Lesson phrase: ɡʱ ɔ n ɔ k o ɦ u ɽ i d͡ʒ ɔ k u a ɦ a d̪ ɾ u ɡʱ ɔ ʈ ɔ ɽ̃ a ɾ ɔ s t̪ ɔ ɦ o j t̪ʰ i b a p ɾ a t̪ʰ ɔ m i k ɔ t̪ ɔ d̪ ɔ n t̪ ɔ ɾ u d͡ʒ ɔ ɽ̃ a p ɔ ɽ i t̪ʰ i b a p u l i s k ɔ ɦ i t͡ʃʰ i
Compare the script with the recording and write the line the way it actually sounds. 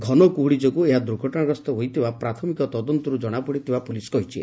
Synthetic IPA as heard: ɡʱ ɔ n ɔ k u ɦ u ɽ i d͡ʒ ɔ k u e ɦ a d̪ ɾ u ɡʱ ɔ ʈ ɔ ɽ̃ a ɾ ɔ s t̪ ɔ ɦ o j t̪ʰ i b a p ɾ a t̪ʰ ɔ m i k ɔ t̪ ɔ d̪ ɔ n t̪ ɔ ɾ u d͡ʒ ɔ ɽ̃ a p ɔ ɽ i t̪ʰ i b a p u l i s k ɔ ɦ i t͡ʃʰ i